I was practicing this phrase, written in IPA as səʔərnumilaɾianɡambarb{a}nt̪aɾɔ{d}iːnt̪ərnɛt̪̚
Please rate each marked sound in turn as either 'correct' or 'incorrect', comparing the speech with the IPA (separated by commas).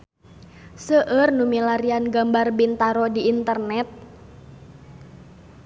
incorrect, correct